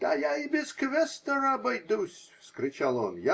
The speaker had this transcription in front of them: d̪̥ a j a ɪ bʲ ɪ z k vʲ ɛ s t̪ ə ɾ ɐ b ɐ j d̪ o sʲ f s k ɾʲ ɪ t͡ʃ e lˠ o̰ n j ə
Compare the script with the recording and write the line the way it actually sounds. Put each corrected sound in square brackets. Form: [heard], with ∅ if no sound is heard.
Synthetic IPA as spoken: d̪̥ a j a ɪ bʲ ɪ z k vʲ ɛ s t̪ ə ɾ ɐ b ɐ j d̪ [u] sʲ f s k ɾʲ ɪ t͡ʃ [a] lˠ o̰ n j [a]